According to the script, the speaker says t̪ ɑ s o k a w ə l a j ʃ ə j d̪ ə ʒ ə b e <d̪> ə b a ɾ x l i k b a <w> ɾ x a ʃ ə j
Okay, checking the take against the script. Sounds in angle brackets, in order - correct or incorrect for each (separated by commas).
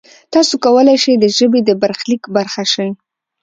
correct, incorrect